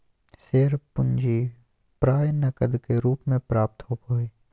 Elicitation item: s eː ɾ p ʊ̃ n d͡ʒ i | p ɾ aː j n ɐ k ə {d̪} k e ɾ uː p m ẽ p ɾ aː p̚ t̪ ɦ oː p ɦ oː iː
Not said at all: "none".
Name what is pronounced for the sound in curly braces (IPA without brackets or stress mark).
d̪